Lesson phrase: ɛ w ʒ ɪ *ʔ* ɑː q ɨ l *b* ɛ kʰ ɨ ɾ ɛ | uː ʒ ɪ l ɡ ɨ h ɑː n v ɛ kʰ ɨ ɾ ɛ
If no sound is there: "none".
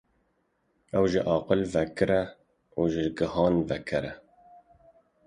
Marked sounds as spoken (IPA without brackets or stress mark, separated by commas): ʔ, v